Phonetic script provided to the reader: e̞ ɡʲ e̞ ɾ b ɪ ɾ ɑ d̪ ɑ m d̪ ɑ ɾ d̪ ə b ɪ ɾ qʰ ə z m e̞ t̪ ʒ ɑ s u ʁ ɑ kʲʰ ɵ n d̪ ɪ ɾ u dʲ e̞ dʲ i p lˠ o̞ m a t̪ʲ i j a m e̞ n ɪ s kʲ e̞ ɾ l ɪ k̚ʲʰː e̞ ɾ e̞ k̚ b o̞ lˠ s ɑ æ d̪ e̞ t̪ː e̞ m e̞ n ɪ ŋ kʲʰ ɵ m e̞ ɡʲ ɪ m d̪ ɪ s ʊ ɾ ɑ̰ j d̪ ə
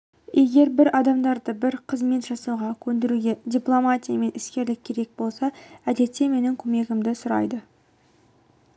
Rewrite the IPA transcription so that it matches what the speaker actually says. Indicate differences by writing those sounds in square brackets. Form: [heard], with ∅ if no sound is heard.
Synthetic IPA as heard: e̞ ɡʲ e̞ ɾ b ɪ ɾ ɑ d̪ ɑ m d̪ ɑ ɾ d̪ ə b ɪ ɾ qʰ ə z m e̞ t̪ ʒ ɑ s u ʁ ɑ kʲʰ ɵ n d̪ ɪ ɾ u [ɡʲ] e̞ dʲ i p lˠ o̞ m a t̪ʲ i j a m e̞ n ɪ s kʲ e̞ ɾ l ɪ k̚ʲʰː e̞ ɾ e̞ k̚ b o̞ lˠ s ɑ æ d̪ e̞ t̪ː e̞ m e̞ n ɪ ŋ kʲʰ ɵ m e̞ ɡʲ ɪ m d̪ ɪ s ʊ ɾ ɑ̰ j d̪ ə